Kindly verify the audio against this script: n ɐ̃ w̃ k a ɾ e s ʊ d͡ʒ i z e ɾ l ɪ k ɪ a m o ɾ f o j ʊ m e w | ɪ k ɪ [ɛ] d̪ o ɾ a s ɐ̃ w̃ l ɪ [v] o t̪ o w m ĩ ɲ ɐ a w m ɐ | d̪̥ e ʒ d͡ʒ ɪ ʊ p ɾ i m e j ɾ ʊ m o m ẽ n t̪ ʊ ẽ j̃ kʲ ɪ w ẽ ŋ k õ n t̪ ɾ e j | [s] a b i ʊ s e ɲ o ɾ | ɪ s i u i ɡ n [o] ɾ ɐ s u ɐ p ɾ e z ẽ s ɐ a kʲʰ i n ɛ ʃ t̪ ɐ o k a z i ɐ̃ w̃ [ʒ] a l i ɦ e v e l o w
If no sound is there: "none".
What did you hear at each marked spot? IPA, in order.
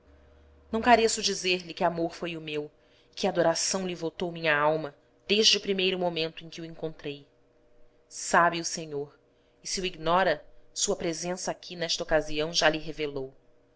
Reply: a, v, s, ɔ, ʒ

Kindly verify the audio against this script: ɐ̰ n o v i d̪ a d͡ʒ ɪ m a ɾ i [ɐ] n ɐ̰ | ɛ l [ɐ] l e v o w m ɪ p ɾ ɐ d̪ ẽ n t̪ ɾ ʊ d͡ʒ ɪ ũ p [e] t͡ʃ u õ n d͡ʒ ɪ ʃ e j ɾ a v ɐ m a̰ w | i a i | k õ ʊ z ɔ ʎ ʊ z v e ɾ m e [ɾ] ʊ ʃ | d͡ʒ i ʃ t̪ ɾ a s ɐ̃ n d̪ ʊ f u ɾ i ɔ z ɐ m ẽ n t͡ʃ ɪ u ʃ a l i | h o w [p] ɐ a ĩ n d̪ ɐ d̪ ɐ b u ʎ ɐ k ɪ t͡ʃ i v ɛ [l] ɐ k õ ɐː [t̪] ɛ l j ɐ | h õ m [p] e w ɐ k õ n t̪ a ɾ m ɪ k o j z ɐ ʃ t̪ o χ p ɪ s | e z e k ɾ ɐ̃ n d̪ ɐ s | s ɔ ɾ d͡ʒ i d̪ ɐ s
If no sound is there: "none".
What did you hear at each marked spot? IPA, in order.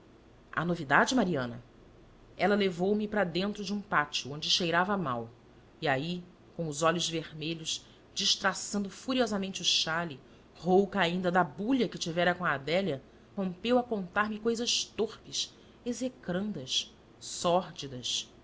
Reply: ɐ̃, ɐ, a, ʎ, k, ɾ, d̪, p

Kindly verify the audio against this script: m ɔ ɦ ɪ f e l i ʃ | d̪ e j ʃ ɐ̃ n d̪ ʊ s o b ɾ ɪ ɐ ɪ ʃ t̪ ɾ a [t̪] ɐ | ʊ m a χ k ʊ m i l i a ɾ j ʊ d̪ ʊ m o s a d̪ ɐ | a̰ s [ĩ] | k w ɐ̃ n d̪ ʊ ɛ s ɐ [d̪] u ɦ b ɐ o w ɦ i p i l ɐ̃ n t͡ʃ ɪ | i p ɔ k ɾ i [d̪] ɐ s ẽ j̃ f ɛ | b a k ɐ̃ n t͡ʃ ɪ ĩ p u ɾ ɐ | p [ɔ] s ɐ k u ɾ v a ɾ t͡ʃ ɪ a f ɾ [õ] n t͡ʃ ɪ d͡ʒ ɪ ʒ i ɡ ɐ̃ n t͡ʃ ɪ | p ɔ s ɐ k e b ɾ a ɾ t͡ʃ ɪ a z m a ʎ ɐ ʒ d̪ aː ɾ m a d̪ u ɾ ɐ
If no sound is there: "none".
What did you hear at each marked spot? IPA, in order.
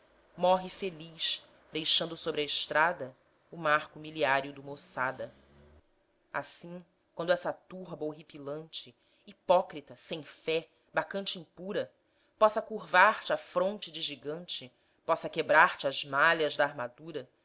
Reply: d̪, ĩ, t̪, t̪, ɔ, õ

